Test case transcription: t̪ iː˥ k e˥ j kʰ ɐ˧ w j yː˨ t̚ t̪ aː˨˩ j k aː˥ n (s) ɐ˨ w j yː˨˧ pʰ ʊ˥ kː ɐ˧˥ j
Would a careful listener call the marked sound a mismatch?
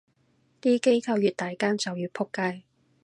yes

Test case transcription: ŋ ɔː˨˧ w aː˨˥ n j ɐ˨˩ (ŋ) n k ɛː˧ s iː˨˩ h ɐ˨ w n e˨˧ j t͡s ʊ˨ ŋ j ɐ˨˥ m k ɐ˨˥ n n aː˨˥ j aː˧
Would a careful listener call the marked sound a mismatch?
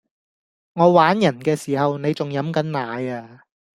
yes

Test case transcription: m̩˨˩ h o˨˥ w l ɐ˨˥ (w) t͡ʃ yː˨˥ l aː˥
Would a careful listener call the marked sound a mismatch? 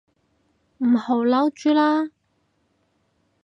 no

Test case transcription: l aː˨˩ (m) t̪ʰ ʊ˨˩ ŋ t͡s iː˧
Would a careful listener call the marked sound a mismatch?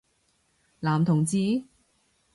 no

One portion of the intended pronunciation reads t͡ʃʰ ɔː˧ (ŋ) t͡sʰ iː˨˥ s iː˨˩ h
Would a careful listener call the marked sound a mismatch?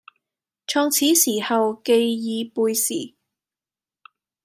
no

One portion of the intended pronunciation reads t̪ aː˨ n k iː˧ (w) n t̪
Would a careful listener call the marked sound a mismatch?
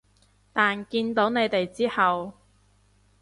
yes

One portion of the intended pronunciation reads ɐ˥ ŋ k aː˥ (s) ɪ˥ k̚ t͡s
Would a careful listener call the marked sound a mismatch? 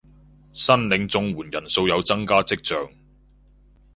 yes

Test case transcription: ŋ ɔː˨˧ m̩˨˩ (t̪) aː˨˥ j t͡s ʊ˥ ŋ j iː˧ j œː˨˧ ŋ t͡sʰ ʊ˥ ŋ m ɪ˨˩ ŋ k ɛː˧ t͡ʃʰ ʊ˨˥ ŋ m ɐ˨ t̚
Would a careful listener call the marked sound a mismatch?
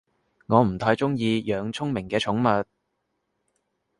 yes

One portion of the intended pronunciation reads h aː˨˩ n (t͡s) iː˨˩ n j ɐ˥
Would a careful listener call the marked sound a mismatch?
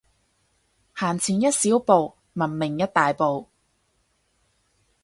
yes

